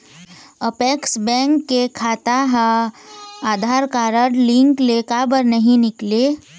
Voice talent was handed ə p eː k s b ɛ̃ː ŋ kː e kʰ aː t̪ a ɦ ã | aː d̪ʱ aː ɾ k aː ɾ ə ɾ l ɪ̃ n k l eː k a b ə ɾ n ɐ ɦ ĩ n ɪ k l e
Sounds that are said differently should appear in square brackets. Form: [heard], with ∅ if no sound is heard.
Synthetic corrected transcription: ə p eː k s b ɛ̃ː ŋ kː e kʰ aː t̪ a ɦ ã | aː d̪ʱ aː ɾ k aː ɾ ə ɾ l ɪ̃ [ŋ] k l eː k a b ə ɾ n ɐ ɦ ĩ n ɪ k l e